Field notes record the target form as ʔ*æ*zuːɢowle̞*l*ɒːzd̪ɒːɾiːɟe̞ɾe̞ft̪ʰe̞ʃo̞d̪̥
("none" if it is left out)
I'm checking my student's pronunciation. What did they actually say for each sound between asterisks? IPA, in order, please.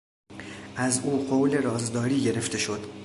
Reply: æ, ɾ

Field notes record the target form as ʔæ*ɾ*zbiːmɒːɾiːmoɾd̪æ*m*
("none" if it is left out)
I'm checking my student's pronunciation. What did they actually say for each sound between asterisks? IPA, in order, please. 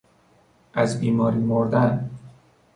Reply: none, n

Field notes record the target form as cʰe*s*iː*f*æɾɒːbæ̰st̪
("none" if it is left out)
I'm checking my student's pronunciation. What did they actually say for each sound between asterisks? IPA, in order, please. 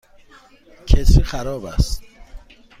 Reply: s, x

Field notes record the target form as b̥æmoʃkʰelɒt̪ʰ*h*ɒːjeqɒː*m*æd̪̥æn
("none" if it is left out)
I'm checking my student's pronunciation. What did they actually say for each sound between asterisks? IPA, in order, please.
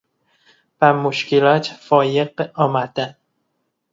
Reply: f, m

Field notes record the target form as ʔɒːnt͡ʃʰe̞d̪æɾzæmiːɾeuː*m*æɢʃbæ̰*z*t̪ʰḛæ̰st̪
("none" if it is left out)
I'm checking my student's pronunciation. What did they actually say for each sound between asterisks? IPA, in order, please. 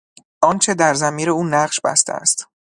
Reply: n, s

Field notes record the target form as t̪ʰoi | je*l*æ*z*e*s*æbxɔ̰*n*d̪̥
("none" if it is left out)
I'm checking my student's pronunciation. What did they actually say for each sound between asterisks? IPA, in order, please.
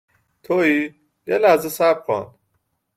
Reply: l, z, s, n

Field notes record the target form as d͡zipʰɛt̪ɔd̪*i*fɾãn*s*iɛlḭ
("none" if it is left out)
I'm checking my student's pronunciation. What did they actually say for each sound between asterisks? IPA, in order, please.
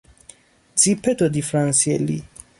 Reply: i, s

